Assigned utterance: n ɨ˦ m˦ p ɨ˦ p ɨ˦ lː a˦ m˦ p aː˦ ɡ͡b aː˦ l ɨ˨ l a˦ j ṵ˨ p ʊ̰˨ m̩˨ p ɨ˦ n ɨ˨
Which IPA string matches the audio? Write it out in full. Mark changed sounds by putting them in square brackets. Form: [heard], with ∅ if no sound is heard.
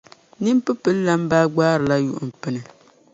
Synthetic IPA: n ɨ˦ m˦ p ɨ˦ p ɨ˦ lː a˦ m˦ [b] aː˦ ɡ͡b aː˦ [ɾ] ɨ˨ l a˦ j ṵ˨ [ʔ] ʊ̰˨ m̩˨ p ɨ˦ n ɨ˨